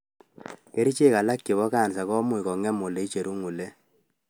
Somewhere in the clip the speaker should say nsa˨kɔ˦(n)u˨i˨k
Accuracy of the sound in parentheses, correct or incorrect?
incorrect